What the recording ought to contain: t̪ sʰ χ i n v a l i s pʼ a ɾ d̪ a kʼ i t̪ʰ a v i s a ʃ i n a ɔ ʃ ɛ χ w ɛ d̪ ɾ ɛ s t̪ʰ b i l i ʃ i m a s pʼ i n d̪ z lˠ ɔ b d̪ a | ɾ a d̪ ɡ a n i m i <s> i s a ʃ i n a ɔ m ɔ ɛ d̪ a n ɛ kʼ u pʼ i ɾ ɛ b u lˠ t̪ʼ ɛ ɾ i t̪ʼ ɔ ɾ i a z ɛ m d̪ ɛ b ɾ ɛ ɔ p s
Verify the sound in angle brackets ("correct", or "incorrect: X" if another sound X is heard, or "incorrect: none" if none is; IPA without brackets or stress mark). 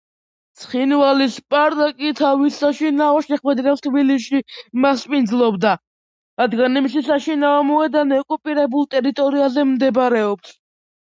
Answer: incorrect: ʃ